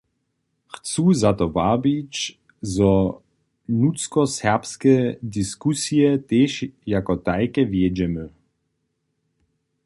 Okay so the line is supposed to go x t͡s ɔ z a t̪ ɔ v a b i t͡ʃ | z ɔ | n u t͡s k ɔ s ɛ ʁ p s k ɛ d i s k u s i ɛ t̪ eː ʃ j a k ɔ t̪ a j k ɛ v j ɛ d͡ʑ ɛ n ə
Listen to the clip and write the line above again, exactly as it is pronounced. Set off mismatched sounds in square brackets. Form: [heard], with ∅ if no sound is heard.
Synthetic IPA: x t͡s [u] z a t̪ ɔ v a b i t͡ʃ | z ɔ | n u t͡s k ɔ s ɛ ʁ p s k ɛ d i s k u s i ɛ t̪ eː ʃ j a k ɔ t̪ a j k ɛ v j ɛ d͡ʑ ɛ [m] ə